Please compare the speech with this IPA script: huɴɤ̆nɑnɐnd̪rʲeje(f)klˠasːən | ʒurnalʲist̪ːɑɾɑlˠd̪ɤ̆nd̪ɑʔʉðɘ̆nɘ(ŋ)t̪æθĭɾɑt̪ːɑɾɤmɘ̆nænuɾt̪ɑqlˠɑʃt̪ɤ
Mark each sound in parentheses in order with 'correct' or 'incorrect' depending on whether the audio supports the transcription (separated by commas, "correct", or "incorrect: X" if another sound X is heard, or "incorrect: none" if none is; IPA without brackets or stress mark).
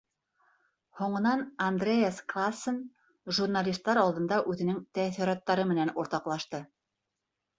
incorrect: s, correct